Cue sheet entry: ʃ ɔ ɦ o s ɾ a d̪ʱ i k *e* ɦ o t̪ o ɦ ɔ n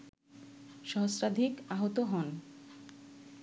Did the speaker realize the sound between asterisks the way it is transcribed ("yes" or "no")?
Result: no